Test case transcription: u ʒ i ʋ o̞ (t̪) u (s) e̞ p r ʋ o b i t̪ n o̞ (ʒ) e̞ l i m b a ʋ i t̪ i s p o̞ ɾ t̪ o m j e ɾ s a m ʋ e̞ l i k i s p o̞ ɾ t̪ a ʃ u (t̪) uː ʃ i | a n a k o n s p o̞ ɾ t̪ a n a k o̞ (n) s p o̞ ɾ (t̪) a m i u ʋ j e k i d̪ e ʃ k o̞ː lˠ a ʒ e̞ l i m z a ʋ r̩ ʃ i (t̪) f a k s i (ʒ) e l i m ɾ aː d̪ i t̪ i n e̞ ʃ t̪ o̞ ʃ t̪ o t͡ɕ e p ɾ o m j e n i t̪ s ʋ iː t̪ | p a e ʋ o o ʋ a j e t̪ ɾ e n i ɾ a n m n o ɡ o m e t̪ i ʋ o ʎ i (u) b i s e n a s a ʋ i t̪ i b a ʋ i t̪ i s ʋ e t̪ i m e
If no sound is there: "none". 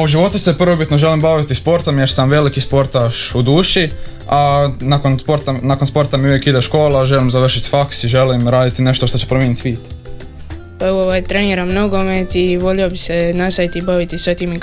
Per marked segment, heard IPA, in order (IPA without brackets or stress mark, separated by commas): t̪, s, ʒ, d̪, n, t̪, t̪, ʒ, o